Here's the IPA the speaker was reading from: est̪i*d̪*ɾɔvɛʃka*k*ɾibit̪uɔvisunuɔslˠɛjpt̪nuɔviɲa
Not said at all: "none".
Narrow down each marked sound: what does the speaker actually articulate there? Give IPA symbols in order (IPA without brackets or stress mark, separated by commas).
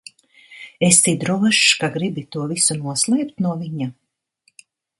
d̪, ɡ